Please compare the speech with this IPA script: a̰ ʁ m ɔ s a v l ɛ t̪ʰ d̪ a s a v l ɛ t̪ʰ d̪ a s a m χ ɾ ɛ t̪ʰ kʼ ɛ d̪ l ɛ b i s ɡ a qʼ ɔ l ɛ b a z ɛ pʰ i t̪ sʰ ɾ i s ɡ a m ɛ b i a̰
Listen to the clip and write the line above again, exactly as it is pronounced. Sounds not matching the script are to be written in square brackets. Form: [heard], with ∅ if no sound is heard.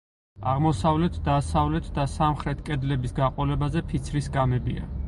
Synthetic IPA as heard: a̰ ʁ m ɔ s a v l ɛ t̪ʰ d̪ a s a v l ɛ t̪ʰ d̪ a s a m χ ɾ ɛ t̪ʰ kʼ ɛ d̪ l ɛ b i s ɡ a qʼ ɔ l ɛ b a z ɛ pʰ i t̪ sʰ ɾ i s ɡ a m ɛ b i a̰